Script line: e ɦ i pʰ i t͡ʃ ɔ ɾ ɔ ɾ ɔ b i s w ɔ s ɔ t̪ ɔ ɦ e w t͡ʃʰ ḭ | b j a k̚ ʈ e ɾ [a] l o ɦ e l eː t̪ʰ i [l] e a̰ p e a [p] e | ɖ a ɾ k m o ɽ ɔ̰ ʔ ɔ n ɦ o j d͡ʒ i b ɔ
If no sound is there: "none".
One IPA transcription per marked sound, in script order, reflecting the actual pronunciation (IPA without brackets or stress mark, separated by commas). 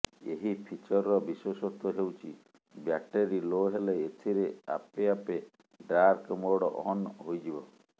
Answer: i, ɾ, p